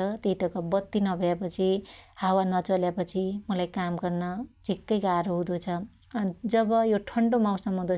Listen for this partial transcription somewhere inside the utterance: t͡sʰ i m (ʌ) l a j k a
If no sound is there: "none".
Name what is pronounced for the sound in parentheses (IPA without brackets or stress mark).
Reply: ʌ